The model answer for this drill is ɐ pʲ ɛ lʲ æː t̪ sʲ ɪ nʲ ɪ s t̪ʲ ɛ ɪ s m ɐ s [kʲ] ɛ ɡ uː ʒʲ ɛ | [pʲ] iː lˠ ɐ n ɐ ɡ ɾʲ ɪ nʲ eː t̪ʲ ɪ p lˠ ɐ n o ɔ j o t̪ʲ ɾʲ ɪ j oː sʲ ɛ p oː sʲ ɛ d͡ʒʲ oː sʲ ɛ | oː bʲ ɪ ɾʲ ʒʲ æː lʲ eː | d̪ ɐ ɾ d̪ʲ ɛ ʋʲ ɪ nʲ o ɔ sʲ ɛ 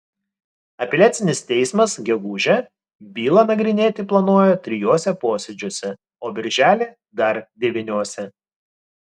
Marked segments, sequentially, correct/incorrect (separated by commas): incorrect, incorrect